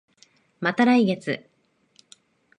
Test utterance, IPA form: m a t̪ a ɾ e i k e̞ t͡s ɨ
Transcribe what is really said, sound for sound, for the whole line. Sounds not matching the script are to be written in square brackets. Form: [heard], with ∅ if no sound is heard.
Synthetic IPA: m a t̪ a ɾ [a] i [ɡ] e̞ t͡s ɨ

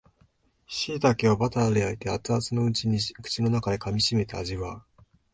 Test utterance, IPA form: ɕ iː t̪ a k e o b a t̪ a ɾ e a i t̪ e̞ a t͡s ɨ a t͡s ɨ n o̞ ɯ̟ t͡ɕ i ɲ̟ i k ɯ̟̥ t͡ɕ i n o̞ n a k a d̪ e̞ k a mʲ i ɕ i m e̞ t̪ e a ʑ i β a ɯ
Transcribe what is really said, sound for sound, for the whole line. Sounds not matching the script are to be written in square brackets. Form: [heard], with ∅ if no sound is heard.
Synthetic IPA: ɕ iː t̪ a k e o b a t̪ a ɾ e a i t̪ e̞ a t͡s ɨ a t͡s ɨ n o̞ ɯ̟ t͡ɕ i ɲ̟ i k ɯ̟̥ t͡ɕ i n o̞ n a k a d̪ e̞ k a mʲ i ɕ i m e̞ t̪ e a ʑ i β a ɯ

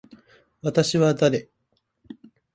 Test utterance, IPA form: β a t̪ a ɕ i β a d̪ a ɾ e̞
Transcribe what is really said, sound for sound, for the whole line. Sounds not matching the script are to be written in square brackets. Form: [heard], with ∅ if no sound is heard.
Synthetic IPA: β a t̪ a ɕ i β a d̪ a ɾ e̞

